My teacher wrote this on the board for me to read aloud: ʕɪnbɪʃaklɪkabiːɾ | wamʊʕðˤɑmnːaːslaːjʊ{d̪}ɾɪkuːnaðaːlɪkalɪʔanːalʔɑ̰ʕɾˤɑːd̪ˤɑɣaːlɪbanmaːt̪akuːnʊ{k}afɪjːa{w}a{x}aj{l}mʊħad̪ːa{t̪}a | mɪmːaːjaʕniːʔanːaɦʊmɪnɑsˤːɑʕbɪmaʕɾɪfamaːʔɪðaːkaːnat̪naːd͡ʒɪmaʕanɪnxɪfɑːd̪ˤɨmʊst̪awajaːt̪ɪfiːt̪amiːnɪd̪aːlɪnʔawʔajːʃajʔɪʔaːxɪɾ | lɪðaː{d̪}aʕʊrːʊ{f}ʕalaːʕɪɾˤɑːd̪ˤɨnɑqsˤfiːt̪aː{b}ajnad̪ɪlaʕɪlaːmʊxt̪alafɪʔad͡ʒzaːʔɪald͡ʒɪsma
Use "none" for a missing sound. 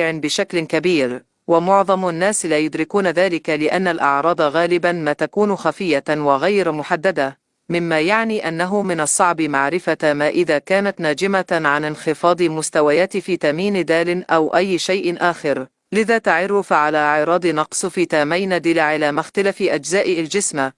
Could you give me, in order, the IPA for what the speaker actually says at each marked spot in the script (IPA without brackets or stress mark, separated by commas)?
d̪, x, w, ɣ, ɾ, d̪, t̪, f, m